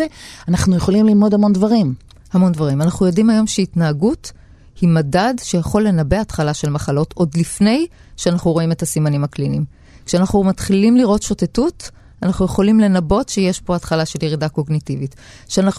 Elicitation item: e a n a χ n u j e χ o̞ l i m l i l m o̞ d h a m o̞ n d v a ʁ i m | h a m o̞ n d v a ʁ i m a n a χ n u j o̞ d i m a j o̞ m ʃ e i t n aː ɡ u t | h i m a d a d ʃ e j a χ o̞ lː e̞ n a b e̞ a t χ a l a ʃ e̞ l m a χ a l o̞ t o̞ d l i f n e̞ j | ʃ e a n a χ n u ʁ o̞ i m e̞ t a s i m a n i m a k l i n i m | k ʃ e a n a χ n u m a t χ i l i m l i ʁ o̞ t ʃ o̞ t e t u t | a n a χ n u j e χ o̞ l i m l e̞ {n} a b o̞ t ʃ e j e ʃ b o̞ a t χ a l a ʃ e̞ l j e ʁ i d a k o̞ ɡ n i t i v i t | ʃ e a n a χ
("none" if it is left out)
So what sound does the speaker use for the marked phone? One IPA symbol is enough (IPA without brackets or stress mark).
n